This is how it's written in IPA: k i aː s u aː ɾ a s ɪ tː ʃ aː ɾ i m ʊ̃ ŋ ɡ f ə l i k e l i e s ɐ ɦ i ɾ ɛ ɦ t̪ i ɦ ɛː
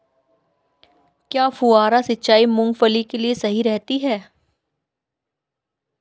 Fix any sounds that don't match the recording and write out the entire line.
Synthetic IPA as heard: k j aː f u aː ɾ a s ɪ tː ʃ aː i m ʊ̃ ŋ ɡ f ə l i k e l i e s ɐ ɦ i ɾ ɛ ɦ t̪ i ɦ ɛː